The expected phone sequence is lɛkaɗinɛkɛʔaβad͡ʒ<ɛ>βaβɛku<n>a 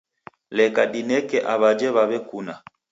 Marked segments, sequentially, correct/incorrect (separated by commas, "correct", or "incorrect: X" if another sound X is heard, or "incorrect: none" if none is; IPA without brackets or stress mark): correct, correct